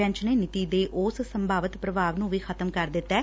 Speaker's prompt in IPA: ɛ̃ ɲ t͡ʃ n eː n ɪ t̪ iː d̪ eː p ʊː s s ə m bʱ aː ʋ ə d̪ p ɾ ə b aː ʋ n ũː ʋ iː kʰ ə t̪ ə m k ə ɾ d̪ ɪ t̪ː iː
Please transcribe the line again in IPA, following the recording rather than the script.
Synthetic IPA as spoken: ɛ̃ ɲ t͡ʃ n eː n ɪ t̪ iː d̪ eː ʔ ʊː s s ə m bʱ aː ʋ ə t̪ p ɾ ə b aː ʋ n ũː ʋ iː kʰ ə t̪ ə m k ə ɾ d̪ ɪ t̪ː ɛː